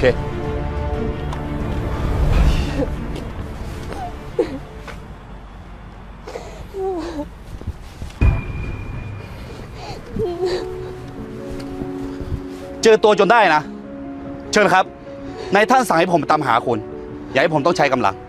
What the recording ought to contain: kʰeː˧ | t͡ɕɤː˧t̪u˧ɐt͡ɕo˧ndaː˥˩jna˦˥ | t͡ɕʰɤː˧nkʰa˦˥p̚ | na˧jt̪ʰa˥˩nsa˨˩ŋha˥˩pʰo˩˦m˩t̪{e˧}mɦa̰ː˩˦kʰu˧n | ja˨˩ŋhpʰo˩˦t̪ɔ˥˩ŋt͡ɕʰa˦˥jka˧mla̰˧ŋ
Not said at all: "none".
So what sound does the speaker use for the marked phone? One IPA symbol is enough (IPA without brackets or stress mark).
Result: a˧